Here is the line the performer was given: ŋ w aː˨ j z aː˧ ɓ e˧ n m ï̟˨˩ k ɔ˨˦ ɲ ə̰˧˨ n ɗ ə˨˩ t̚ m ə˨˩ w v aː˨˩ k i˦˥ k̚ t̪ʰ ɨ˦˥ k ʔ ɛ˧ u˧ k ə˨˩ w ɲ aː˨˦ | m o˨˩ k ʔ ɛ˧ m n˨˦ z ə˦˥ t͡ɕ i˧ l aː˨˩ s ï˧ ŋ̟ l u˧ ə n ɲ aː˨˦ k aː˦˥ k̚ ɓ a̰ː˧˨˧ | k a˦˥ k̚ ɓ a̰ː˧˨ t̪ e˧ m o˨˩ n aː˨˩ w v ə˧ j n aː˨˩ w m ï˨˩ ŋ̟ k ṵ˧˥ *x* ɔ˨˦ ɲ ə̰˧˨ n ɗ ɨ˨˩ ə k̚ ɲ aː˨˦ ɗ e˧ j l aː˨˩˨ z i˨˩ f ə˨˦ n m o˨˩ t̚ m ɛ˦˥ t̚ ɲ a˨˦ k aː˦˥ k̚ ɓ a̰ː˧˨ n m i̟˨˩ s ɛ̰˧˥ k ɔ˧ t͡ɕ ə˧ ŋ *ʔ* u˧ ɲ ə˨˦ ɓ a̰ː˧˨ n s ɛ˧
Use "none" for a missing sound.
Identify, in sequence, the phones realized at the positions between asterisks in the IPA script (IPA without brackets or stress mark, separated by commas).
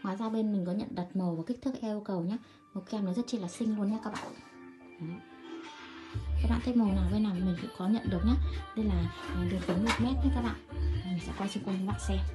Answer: k, k